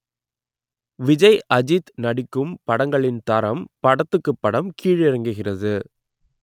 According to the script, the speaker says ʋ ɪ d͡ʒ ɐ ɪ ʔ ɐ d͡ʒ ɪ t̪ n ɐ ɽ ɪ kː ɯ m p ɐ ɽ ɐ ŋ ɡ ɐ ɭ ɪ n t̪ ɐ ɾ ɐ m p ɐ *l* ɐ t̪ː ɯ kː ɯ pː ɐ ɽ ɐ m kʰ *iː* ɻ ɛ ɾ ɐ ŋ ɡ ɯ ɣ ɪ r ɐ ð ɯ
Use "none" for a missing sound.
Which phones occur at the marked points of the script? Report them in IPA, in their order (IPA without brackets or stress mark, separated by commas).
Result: ɽ, iː